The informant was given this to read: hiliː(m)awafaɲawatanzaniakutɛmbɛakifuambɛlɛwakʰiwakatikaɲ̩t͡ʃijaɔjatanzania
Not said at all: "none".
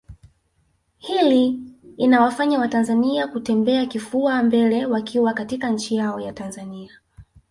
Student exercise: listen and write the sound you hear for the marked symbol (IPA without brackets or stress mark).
n